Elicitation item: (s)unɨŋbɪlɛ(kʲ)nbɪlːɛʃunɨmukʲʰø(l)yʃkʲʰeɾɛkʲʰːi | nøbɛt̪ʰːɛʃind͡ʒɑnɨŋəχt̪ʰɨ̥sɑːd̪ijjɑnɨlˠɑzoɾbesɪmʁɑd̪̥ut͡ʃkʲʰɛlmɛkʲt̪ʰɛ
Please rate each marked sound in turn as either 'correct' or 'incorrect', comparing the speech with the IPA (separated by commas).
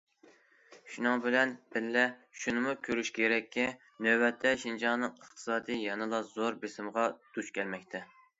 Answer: incorrect, incorrect, incorrect